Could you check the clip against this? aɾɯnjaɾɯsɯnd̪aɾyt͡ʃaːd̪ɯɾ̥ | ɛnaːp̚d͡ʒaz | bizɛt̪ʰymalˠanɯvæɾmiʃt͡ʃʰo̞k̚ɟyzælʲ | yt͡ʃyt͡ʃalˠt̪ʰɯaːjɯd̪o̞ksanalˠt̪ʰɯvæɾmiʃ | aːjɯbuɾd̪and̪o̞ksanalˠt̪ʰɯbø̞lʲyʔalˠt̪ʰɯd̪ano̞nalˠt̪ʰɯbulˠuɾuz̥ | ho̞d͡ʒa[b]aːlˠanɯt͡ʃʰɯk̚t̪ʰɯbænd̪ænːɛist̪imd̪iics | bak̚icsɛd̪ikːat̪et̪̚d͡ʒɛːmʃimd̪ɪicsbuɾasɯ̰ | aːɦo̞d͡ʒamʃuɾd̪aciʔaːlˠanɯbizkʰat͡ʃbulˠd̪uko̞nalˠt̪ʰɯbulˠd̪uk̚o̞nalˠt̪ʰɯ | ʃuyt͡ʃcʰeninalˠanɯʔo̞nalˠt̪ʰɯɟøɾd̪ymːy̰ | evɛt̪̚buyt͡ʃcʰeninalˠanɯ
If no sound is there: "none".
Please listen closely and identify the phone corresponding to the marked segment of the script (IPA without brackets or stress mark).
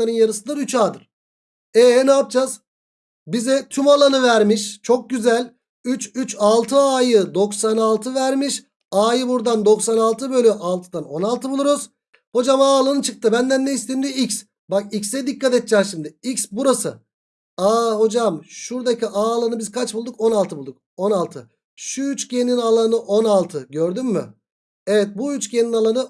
m